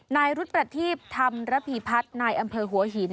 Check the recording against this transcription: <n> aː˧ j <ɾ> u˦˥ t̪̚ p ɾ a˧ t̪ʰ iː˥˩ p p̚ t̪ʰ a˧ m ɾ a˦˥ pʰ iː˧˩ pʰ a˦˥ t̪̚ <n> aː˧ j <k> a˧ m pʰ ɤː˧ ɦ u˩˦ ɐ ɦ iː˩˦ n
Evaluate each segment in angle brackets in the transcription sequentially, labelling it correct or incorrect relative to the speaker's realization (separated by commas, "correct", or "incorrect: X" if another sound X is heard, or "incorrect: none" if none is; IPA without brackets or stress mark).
correct, correct, correct, incorrect: ʔ